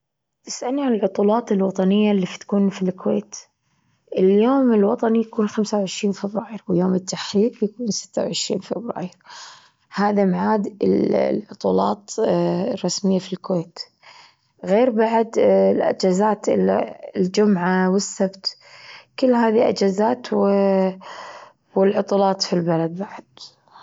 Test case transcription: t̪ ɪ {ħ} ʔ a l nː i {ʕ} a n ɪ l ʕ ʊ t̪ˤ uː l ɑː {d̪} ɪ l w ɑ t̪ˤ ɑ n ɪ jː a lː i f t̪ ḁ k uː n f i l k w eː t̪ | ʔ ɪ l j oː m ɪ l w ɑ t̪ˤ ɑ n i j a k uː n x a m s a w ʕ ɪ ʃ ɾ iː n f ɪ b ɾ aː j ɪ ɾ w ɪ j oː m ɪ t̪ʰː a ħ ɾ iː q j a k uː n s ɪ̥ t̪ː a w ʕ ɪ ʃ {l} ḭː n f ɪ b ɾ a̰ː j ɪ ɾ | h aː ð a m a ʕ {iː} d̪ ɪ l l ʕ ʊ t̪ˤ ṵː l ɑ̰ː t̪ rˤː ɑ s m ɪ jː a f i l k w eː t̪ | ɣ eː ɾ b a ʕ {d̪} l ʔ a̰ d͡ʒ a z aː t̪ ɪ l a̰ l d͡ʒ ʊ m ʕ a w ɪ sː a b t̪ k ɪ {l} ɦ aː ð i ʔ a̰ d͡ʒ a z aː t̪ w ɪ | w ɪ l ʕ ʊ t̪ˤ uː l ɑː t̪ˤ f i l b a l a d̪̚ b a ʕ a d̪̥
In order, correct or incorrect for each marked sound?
incorrect: s, correct, incorrect: t̪, incorrect: ɾ, incorrect: aː, correct, incorrect: lː

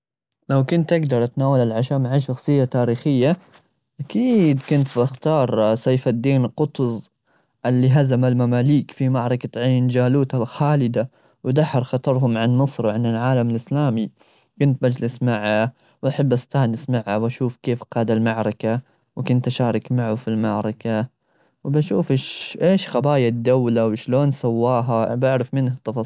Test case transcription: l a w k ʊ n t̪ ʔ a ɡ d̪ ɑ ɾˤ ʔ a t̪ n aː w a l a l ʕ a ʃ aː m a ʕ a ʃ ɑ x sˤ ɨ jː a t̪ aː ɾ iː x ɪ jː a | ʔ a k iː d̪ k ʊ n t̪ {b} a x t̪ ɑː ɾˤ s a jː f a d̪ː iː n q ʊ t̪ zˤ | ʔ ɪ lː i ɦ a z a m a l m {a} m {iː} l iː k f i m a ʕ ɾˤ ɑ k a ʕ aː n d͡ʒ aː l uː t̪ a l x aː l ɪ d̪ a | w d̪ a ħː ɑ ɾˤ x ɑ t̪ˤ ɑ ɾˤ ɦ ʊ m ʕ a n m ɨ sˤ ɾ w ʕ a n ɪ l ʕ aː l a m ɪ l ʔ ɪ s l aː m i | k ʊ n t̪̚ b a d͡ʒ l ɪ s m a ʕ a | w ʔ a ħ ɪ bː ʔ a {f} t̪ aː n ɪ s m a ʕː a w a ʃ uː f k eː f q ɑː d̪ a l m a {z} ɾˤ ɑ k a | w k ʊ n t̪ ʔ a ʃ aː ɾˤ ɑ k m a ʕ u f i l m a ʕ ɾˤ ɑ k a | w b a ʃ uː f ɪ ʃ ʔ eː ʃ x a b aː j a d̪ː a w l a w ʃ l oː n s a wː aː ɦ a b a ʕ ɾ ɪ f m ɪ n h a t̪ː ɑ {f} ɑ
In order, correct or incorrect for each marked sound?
correct, correct, incorrect: aː, incorrect: s, incorrect: ʕ, correct

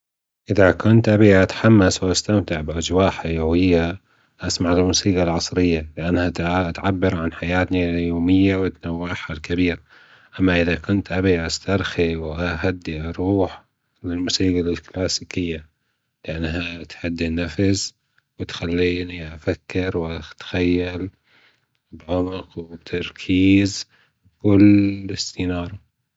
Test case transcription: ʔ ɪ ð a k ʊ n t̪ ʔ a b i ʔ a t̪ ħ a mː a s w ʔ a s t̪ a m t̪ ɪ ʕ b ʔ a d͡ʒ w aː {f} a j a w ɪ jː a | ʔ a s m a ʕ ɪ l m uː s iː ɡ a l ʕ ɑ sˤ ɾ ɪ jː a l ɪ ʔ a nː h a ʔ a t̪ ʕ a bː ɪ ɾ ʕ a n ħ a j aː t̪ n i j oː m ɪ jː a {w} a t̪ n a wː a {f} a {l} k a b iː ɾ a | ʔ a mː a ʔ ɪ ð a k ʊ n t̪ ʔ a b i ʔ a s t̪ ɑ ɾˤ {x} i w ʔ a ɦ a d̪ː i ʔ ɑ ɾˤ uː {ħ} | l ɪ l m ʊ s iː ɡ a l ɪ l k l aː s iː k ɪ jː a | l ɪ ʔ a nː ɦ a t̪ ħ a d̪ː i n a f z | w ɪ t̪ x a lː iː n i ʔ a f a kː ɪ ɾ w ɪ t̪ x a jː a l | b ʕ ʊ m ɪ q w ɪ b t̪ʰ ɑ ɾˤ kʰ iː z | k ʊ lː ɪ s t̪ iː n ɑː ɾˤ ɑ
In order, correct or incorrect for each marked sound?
incorrect: ħ, correct, incorrect: ħ, correct, correct, correct

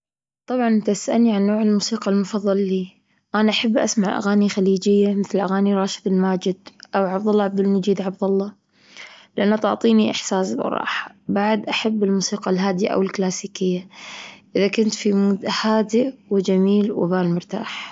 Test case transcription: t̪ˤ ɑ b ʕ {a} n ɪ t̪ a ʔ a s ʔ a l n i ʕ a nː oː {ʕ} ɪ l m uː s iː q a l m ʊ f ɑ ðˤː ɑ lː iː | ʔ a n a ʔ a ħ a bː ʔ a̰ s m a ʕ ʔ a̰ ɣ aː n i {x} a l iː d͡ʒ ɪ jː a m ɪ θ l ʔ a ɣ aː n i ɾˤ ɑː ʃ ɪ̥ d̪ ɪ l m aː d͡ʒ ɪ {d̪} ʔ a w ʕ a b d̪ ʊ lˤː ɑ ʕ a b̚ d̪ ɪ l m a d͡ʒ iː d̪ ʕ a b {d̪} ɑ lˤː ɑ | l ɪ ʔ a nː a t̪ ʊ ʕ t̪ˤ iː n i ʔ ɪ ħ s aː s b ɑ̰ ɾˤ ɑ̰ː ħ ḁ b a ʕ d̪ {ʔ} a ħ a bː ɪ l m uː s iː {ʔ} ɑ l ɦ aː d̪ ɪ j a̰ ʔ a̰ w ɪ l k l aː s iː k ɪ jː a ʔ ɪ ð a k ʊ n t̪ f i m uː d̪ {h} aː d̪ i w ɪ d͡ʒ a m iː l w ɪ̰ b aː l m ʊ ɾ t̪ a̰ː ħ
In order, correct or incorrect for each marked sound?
incorrect: ɑ, correct, correct, correct, correct, correct, incorrect: q, correct

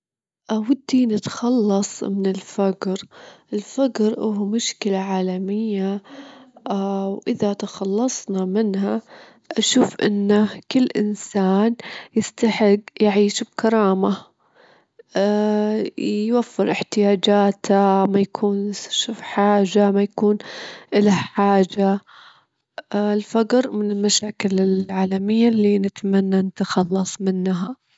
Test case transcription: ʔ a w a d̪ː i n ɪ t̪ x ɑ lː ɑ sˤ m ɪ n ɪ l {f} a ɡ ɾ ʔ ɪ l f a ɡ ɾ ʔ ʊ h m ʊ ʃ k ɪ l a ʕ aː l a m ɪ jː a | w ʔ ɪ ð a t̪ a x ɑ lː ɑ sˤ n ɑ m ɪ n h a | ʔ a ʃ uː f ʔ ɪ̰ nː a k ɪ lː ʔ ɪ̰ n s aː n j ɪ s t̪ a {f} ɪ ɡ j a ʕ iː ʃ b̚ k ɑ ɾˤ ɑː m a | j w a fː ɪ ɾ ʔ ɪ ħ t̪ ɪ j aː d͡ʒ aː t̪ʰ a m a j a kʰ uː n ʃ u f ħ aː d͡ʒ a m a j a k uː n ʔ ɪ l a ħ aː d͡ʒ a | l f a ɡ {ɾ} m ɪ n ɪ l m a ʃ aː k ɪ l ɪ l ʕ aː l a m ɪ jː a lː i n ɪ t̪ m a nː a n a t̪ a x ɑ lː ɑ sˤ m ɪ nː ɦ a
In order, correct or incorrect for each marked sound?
correct, incorrect: ħ, correct

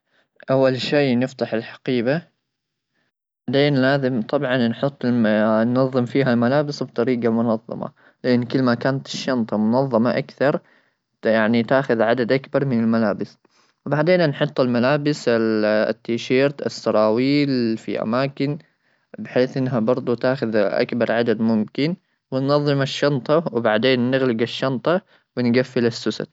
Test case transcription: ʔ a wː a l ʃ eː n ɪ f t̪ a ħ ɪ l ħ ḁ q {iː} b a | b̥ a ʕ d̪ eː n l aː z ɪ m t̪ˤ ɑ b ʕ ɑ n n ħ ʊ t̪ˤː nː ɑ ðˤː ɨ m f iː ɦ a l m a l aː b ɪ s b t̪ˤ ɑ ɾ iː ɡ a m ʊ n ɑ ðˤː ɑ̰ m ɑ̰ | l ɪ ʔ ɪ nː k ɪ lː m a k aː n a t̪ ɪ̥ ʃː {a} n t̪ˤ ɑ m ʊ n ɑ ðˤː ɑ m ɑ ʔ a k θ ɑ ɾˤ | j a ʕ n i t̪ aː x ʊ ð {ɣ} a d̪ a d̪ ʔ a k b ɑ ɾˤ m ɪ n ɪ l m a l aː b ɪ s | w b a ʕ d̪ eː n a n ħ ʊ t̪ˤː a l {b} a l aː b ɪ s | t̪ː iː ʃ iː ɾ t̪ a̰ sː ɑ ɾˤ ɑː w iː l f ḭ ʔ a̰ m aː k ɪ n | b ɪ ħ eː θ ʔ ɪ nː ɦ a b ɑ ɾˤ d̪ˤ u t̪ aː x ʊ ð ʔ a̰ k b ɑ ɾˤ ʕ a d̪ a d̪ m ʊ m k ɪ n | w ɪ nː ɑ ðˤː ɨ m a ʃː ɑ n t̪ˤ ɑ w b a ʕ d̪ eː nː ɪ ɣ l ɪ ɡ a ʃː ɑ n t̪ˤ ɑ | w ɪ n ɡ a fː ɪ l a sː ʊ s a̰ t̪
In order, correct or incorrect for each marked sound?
correct, incorrect: ɑ, incorrect: ʕ, incorrect: m

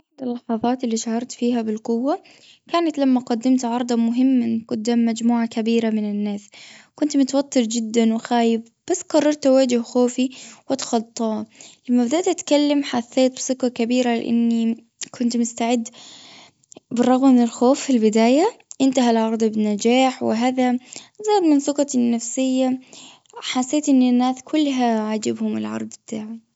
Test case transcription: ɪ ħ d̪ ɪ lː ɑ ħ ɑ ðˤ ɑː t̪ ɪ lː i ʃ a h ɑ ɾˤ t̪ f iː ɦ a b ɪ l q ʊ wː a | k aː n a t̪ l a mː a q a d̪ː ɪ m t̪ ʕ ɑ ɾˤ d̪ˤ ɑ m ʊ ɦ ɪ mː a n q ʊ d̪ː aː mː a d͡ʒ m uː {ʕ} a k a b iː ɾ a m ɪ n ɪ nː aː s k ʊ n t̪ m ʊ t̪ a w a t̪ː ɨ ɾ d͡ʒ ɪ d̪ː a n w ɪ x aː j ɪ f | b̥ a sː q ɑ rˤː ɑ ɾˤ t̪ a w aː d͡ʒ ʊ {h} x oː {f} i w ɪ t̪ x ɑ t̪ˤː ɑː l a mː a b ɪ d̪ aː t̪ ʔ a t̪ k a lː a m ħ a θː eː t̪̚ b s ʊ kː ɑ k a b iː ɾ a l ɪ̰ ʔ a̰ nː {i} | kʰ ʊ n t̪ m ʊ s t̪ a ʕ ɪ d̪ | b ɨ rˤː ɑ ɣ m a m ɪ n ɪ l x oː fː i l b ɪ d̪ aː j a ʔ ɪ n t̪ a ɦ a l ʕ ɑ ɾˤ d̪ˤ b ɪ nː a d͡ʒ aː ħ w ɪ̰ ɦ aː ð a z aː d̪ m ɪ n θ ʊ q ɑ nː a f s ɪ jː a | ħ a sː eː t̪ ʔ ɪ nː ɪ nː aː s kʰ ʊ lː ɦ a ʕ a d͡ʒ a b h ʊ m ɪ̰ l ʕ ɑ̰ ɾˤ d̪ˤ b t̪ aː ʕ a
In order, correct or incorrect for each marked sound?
correct, correct, correct, correct

